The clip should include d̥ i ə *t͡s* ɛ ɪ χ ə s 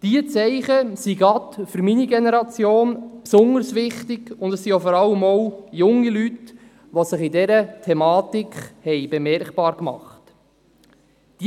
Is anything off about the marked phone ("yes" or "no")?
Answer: no